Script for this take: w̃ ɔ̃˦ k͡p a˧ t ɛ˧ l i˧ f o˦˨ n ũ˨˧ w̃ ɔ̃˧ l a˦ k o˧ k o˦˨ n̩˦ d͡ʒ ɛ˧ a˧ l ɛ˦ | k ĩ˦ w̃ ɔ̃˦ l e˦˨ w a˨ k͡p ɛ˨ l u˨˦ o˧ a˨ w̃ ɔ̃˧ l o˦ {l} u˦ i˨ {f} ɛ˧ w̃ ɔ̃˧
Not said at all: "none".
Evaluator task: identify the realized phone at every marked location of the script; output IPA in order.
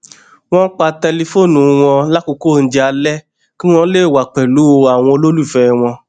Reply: l, f

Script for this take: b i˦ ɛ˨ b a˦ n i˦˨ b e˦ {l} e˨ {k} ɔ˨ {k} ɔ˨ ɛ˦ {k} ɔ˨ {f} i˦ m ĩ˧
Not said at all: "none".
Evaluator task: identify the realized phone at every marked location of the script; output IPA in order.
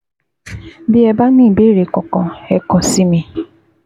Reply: ɾ, k, k, k, s

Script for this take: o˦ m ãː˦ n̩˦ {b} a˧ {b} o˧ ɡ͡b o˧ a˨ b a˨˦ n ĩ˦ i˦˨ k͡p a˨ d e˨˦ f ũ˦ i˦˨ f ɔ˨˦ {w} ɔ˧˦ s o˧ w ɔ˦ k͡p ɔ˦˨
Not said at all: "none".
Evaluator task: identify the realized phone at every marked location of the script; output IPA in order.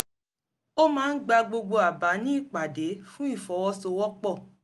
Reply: ɡ͡b, ɡ͡b, w

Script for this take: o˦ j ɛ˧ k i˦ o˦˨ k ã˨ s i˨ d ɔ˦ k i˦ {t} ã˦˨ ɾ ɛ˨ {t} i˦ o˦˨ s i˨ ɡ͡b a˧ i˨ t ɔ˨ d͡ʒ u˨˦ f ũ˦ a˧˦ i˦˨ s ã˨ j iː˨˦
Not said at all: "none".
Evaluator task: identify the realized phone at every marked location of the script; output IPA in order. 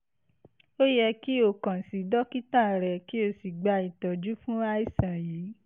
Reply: t, k

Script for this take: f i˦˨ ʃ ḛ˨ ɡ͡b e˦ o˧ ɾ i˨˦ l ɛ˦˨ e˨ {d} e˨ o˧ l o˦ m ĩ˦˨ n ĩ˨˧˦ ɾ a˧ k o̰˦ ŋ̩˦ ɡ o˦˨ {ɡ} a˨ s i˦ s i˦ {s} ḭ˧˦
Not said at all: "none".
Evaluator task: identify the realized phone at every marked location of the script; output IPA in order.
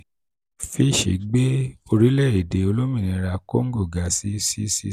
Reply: d, ɡ, s

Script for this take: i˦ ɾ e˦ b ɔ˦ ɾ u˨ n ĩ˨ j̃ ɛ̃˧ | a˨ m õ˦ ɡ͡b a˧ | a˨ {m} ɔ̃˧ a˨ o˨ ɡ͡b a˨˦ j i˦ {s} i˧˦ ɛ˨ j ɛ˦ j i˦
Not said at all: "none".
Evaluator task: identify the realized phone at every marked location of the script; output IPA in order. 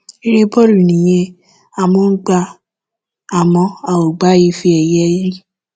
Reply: m, f

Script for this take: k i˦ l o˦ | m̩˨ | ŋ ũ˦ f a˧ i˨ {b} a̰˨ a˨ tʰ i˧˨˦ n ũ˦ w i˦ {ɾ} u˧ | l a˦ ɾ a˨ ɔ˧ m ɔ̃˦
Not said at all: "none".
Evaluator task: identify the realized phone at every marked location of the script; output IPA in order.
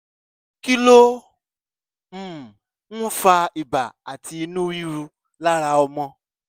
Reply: b, ɾ

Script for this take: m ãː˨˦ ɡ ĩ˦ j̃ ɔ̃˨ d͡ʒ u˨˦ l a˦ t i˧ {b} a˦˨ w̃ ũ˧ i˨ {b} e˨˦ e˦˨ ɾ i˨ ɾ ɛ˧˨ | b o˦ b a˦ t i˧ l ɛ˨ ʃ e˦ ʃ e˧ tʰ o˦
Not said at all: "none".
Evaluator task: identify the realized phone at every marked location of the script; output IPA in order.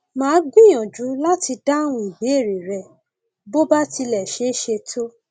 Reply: d, b

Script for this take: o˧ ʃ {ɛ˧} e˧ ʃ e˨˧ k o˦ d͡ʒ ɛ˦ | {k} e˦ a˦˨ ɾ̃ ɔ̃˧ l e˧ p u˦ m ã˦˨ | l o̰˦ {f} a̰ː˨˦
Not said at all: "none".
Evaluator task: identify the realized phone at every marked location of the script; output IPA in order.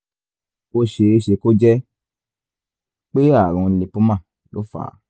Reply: e˧, k͡p, f

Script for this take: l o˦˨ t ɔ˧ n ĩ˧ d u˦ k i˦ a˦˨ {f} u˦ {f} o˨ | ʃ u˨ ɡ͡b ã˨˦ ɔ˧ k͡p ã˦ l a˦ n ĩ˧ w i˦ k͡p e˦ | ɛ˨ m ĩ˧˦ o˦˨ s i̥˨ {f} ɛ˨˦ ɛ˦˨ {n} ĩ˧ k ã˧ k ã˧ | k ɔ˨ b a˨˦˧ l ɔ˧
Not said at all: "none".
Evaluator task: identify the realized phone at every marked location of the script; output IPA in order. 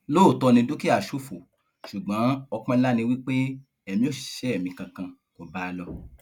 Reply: ʃ, f, ʃ, m

